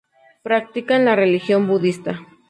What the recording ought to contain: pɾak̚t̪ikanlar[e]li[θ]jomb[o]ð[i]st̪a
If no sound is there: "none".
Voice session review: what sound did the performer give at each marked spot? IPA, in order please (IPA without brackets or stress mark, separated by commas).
e, x, u, i